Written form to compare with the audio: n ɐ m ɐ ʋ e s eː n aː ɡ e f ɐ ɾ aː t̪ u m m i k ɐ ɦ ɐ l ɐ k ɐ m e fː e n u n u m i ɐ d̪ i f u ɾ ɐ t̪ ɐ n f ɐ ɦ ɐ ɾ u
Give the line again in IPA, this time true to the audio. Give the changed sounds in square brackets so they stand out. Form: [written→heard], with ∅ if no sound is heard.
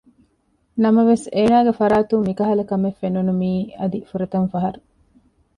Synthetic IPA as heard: n ɐ m ɐ ʋ e s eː n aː ɡ e f ɐ ɾ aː t̪ u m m i k ɐ ɦ ɐ l ɐ k ɐ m e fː e n u n u m [i→iː] ɐ d̪ i f u ɾ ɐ t̪ ɐ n f ɐ ɦ ɐ ɾ u